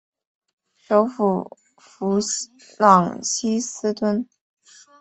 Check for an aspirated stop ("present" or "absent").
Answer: absent